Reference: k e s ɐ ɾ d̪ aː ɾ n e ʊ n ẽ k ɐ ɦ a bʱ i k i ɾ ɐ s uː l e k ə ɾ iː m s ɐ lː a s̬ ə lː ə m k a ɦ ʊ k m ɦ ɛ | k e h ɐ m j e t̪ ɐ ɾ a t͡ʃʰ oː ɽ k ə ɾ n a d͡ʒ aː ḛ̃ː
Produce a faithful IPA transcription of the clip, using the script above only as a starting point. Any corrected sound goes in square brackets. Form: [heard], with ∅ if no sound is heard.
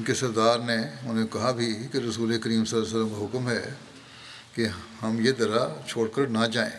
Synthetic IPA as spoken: k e s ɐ ɾ d̪ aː ɾ n e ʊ n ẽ k ɐ ɦ a bʱ i k [e] ɾ ɐ s uː l e k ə ɾ iː m s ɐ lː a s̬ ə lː ə m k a ɦ ʊ k m ɦ ɛ | k e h ɐ m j e [d̪] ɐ ɾ a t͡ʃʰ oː ɽ k ə ɾ n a d͡ʒ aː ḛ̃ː